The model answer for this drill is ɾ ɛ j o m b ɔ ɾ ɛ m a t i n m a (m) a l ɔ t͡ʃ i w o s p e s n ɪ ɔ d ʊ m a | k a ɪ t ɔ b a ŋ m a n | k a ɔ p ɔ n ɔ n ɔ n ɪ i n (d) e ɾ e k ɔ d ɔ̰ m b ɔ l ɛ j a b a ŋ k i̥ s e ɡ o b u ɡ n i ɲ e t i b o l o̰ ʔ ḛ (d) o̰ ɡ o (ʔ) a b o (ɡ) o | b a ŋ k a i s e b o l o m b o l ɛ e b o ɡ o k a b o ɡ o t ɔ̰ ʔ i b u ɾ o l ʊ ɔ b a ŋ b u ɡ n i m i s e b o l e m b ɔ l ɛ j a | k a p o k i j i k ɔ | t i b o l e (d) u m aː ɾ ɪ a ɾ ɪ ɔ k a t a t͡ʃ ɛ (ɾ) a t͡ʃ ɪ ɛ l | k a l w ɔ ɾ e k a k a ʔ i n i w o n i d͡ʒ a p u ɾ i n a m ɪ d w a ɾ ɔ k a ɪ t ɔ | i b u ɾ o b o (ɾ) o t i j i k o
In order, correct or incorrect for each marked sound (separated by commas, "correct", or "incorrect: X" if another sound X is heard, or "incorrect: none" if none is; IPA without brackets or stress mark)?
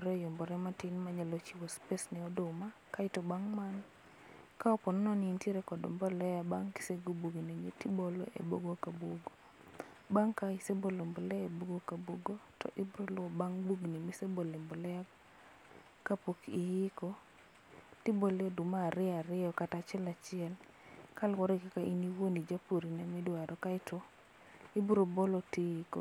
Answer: incorrect: ɲ, incorrect: t, incorrect: b, incorrect: k, correct, correct, incorrect: l, incorrect: l